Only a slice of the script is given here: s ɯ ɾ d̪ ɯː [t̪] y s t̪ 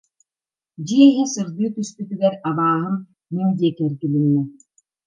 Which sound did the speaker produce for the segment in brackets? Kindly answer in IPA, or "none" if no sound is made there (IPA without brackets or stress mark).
t̪